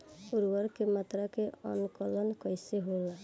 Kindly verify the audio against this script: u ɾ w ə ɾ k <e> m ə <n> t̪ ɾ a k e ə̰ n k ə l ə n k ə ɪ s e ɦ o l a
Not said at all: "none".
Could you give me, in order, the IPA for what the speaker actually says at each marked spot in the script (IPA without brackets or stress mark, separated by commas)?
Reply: e, none